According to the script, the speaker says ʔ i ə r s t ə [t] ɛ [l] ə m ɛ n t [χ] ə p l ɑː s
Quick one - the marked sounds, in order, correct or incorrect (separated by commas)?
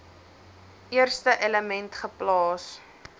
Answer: incorrect, correct, correct